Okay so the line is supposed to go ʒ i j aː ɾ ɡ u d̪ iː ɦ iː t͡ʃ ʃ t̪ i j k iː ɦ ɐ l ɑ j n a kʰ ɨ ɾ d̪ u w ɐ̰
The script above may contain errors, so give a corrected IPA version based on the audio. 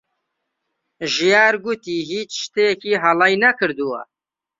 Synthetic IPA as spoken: ʒ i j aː ɾ ɡ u t̪ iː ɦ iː t͡ʃ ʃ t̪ e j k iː ɦ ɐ l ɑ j n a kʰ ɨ ɾ d̪ u w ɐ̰